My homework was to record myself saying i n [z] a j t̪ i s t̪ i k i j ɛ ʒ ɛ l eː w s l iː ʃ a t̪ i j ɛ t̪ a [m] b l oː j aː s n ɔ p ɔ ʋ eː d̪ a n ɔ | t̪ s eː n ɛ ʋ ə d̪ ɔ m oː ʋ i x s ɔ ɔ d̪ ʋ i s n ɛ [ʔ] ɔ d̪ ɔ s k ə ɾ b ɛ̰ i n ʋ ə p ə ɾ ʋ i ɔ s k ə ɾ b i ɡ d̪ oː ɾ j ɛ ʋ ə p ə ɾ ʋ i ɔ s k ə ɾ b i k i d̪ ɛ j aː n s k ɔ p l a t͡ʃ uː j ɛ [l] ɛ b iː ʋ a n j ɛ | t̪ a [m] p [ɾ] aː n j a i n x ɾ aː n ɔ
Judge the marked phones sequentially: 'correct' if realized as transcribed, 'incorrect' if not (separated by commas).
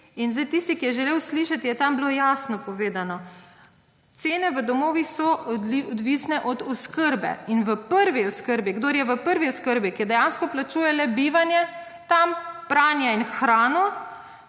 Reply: correct, correct, correct, correct, correct, correct